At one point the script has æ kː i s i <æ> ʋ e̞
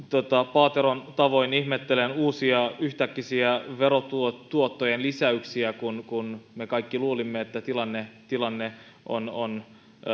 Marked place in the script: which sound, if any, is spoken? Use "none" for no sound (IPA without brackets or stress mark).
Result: æ